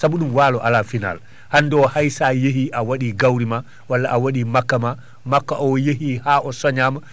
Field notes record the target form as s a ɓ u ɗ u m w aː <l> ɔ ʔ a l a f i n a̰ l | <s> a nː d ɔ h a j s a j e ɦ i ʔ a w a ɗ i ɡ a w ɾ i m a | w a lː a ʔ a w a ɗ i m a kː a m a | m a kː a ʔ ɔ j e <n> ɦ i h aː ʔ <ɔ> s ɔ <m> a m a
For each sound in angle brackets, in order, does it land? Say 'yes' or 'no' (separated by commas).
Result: yes, no, no, yes, no